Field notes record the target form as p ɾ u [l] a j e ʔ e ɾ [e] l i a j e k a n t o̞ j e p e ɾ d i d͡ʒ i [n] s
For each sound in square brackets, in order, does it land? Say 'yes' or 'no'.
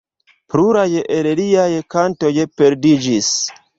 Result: no, yes, no

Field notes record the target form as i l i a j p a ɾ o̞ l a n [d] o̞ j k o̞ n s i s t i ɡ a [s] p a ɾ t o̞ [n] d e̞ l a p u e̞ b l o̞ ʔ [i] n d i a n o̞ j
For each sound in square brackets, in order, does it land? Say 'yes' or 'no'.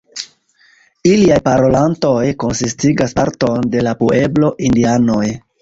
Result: no, yes, yes, yes

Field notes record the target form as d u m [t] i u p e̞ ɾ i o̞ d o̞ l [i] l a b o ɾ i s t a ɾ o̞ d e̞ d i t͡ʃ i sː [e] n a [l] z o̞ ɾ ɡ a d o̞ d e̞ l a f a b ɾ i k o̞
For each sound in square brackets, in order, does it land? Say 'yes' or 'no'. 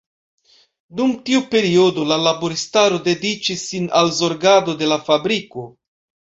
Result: yes, no, no, yes

